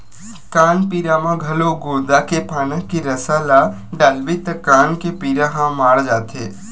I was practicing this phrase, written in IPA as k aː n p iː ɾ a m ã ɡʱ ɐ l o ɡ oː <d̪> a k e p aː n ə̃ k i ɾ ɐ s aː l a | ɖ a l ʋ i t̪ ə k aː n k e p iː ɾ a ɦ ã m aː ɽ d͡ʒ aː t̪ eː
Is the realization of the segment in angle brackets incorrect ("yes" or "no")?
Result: no